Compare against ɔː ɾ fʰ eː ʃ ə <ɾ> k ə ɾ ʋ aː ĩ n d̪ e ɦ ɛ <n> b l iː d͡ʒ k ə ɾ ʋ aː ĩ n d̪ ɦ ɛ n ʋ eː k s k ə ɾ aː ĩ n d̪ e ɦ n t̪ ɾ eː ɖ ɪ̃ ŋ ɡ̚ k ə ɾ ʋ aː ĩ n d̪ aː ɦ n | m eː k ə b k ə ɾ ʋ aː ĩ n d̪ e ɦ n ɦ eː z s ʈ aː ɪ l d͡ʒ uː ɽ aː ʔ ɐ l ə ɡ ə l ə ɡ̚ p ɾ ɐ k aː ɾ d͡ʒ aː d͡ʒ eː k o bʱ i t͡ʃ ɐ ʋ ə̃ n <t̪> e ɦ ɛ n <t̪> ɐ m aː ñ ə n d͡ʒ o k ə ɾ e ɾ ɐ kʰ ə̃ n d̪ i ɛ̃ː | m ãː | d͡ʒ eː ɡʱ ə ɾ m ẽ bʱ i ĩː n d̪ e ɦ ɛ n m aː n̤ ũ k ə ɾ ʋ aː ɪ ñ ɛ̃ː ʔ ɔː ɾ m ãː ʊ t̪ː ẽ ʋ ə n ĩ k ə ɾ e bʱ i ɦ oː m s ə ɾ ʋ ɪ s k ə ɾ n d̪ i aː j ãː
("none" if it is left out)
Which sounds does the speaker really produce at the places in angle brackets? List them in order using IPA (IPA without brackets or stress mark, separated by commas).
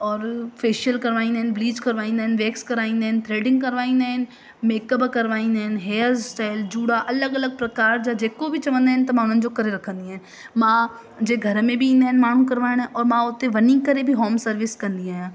l, n, d̪, t̪